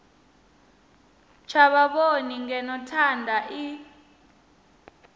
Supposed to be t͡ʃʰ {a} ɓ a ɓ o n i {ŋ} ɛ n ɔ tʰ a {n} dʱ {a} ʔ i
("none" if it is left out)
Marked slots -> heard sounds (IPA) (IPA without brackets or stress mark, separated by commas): a, ŋ, n, a